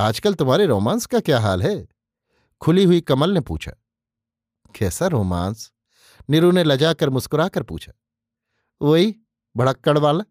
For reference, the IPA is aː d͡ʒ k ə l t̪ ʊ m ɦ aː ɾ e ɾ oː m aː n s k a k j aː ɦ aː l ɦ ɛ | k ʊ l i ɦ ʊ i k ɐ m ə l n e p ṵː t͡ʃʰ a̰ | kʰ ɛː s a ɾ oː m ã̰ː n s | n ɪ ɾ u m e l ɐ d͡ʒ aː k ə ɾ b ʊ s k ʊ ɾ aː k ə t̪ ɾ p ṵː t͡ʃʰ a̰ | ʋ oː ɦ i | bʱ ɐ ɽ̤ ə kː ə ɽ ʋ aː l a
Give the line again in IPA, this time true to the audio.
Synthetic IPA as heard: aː d͡ʒ k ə l t̪ ʊ m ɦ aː ɾ e ɾ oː m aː n s k a k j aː ɦ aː l ɦ ɛ | kʰ ʊ l i ɦ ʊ i k ɐ m ə l n e p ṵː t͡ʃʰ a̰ | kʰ ɛː s a ɾ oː m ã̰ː n s | n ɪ ɾ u n e l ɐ d͡ʒ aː k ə ɾ m ʊ s k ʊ ɾ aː k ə ɾ p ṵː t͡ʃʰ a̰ | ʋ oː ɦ i | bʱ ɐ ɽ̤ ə kː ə ɽ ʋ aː l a